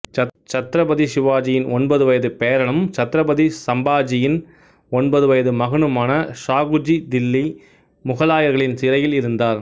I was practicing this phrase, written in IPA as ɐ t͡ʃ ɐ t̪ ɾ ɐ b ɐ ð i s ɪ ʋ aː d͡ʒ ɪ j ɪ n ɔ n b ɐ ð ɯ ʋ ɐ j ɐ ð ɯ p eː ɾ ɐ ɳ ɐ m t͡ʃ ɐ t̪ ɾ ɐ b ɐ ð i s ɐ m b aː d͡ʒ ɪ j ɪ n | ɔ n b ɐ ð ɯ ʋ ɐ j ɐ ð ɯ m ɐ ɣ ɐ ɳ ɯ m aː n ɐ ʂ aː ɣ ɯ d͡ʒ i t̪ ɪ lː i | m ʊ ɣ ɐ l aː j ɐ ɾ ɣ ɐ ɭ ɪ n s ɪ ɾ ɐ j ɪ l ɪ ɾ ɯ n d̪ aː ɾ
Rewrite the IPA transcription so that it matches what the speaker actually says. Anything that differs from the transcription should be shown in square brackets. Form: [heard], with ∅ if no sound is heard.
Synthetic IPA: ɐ t͡ʃ ɐ t̪ ɾ ɐ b ɐ ð i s ɪ ʋ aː d͡ʒ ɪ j ɪ n ɔ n b ɐ ð ɯ ʋ ɐ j ɐ ð ɯ p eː ɾ ɐ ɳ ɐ m t͡ʃ ɐ t̪ ɾ ɐ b ɐ ð i s ɐ m b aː d͡ʒ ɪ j ɪ n | ɔ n b ɐ ð ɯ ʋ ɐ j ɐ ð ɯ m ɐ ɣ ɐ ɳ ɯ m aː n ɐ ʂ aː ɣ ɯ d͡ʒ i [d̪] ɪ lː i | m ʊ ɣ ɐ l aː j ɐ ɾ ɣ ɐ ɭ ɪ n s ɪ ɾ ɐ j ɪ l ɪ ɾ ɯ n d̪ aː ɾ